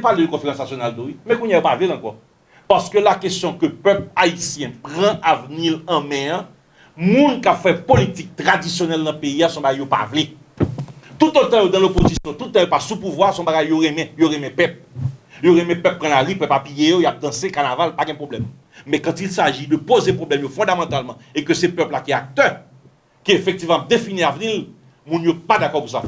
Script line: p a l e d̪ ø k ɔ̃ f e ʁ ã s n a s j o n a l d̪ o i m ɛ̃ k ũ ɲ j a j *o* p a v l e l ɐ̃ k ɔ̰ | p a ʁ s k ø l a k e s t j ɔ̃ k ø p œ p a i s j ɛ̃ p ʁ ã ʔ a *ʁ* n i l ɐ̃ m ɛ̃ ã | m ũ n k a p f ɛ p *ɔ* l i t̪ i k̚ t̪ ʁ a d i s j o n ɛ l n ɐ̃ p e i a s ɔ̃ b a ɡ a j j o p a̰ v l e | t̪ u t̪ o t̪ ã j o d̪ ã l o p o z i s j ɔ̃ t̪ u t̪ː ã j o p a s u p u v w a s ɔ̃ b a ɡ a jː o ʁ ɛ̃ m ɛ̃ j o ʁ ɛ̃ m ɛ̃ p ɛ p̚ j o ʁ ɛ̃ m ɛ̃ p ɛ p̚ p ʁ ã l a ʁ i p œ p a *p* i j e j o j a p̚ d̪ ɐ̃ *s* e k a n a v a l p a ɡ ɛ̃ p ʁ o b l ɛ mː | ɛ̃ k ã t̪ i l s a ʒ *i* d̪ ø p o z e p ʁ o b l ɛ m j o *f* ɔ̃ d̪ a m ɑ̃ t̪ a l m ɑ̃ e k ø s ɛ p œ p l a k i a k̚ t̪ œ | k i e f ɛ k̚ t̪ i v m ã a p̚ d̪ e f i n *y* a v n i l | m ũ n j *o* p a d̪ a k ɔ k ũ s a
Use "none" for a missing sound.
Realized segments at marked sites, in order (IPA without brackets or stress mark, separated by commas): o, v, o, p, s, i, f, i, o